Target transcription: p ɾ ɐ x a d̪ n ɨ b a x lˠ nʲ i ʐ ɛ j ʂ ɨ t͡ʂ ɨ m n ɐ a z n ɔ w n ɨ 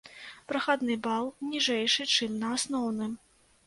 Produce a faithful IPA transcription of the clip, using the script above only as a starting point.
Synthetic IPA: p ɾ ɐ x a d̪ n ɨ b a lˠ nʲ i ʐ ɛ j ʂ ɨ t͡ʂ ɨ m n ɐ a s n ɔ w n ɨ